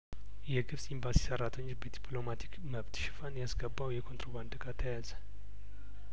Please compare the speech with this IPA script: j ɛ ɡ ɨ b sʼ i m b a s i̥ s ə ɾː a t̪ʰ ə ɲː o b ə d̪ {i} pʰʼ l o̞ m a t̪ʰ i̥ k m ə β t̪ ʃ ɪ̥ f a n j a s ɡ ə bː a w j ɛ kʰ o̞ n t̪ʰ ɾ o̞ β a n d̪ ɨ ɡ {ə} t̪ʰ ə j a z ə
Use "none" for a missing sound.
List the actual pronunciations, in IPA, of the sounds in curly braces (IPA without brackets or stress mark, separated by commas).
i, a